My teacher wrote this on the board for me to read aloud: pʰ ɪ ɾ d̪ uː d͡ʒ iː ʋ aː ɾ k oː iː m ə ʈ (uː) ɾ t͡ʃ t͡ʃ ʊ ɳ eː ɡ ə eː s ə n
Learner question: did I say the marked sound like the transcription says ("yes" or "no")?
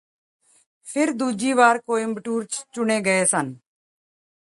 yes